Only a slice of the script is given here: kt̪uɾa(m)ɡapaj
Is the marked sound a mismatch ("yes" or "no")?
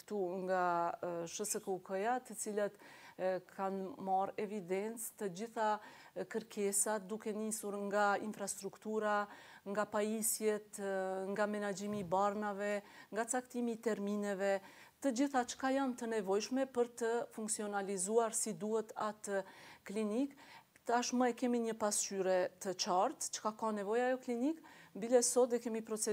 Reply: yes